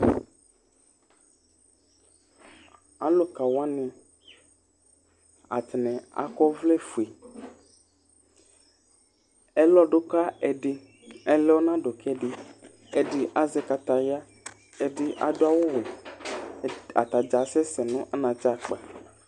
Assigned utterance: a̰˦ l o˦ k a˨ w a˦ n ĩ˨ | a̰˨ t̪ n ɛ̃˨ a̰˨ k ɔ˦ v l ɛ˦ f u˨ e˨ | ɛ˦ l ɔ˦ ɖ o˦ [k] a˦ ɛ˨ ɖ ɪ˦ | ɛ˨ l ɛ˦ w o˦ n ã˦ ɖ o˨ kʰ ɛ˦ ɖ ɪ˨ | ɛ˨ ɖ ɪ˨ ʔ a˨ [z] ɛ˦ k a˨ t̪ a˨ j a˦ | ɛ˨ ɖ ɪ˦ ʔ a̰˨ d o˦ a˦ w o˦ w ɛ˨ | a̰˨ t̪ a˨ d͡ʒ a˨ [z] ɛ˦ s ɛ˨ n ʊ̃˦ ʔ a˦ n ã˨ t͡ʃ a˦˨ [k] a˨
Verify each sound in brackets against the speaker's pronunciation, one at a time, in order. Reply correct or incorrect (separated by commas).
correct, correct, incorrect, incorrect